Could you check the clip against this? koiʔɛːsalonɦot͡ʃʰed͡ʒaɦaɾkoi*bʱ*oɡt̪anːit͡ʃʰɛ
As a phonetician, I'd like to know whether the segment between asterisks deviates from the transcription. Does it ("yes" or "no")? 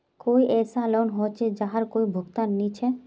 no